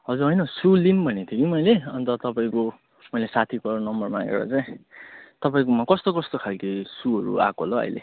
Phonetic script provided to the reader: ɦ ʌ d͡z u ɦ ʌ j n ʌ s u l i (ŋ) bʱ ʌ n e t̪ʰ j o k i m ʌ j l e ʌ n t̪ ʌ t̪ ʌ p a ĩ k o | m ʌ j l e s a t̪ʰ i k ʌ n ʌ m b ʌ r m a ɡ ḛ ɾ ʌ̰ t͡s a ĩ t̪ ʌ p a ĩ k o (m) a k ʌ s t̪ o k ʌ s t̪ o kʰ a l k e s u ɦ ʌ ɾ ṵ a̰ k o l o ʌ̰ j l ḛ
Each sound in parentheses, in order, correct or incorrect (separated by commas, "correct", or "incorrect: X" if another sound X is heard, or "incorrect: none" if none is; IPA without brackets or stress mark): incorrect: n, correct